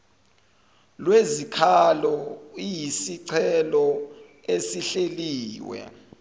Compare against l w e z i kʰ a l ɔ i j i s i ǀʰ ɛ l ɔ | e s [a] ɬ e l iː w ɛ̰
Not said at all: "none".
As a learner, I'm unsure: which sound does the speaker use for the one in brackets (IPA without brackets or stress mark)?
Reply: i